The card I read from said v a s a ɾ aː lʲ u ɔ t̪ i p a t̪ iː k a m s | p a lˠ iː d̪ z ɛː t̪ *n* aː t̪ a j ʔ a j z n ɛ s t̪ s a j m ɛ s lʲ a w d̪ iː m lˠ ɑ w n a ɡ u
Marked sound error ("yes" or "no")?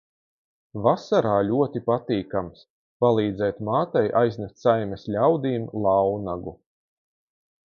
yes